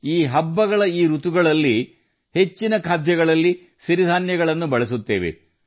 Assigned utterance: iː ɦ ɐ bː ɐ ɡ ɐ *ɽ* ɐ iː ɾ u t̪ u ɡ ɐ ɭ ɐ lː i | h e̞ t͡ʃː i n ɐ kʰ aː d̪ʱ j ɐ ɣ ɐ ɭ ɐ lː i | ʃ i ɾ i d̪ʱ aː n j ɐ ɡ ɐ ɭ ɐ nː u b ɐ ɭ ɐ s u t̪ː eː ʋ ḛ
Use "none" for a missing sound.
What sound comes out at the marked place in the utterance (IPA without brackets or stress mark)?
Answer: ɭ